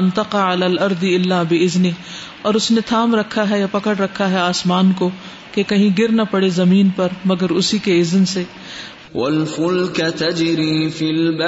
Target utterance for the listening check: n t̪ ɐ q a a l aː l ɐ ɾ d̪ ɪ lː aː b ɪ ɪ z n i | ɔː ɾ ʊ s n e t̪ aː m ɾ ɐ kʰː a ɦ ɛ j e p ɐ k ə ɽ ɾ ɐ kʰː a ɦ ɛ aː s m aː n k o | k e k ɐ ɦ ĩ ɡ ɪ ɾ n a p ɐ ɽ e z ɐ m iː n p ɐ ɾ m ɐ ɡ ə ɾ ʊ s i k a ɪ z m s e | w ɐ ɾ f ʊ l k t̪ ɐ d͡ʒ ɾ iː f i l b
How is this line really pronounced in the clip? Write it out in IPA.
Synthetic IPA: n t̪ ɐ q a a l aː l ɐ ɾ d̪ ɪ lː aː b ɪ ɪ z n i | ɔː ɾ ʊ s n e t̪ʰ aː m ɾ ɐ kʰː a ɦ ɛ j a p ɐ k ə ɽ ɾ ɐ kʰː a ɦ ɛ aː s m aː n k o | k e k ɐ ɦ ĩ ɡ ɪ ɾ n a p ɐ ɽ e z ɐ m iː n p ɐ ɾ m ɐ ɡ ə ɾ ʊ s i k e ɪ z n s e | w ɐ l f ʊ l k t̪ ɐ d͡ʒ ɾ iː f i l b